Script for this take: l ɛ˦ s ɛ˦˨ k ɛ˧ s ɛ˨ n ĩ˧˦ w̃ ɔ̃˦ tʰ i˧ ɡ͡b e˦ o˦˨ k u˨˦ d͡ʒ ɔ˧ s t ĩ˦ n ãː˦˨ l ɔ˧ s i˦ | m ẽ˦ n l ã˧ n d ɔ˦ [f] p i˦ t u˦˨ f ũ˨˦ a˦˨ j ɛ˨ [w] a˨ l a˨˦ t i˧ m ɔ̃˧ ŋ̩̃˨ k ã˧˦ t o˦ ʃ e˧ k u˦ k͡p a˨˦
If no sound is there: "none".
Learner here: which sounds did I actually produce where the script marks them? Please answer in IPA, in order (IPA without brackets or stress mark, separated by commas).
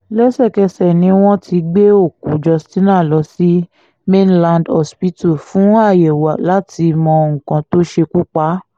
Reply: s, w